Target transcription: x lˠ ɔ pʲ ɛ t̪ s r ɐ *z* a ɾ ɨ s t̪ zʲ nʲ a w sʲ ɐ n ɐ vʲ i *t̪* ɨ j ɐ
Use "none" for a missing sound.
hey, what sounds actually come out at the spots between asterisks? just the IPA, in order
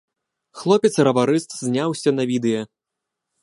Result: v, d̪

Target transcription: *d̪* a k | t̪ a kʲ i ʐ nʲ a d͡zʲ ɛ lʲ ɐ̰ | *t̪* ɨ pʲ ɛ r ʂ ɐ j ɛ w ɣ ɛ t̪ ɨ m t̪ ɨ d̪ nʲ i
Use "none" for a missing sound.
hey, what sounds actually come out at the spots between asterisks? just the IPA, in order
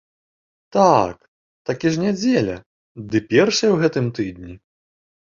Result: t̪, d̪

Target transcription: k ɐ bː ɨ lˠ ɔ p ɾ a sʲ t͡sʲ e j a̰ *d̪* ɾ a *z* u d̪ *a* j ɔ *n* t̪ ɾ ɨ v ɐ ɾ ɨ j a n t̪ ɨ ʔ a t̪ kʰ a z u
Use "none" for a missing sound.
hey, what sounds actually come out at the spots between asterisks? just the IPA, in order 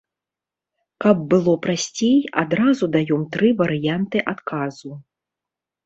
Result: d̪, z, a, m

